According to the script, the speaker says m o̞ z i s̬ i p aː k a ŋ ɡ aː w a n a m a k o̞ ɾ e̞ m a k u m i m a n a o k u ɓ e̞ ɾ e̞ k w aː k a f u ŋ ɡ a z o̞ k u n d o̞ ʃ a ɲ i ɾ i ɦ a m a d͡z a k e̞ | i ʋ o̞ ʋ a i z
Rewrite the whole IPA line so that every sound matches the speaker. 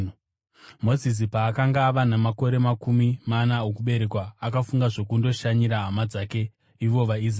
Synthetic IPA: m o̞ z i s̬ i p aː k a ŋ ɡ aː ʋ a n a m a k o̞ ɾ e̞ m a k u m i m a n a o k u ɓ e̞ ɾ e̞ k w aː k a f u ŋ ɡ a ʐ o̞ k u n d o̞ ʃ a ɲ i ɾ a ɦ a m a d͡z a k e̞ | i ʋ o̞ ʋ a i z